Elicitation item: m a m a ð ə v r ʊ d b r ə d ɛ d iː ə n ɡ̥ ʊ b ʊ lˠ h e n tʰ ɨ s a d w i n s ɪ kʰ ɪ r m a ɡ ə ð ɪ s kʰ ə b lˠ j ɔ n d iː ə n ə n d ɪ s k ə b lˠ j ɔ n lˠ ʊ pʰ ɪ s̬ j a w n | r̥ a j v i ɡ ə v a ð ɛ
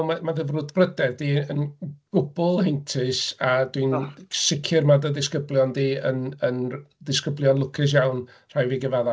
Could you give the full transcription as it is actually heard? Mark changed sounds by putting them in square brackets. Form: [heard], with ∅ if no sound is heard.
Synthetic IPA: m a m a ð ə v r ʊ d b r ə d ɛ d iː ə n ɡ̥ ʊ b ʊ lˠ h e n tʰ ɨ s a d w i n s ɪ kʰ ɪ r m a [d] ə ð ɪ s [k] ə b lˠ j ɔ n d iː ə n ə n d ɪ s k ə b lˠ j ɔ n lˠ ʊ [kʰ] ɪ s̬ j a w n | r̥ a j v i ɡ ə v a ð [a]